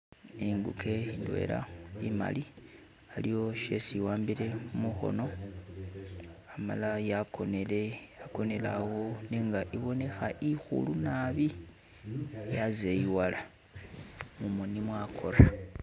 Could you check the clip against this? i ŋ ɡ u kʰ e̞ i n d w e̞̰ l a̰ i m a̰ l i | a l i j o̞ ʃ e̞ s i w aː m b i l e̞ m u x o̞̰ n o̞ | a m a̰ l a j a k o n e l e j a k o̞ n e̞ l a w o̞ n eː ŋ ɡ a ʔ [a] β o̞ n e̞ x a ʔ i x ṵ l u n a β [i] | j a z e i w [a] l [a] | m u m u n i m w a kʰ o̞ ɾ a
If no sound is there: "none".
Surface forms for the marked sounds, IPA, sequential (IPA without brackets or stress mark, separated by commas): i, i, a, a